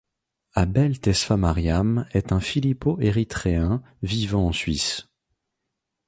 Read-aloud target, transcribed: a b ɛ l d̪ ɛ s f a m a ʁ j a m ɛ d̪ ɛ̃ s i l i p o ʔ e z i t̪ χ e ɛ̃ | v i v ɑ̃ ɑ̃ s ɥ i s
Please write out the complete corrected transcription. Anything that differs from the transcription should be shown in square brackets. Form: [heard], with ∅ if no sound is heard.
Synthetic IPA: a b ɛ l [t̪] ɛ s f a m a ʁ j a m ɛ [t̪] ɛ̃ [f] i l i p o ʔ e [ʁ] i t̪ χ e ɛ̃ | v i v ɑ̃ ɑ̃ s ɥ i s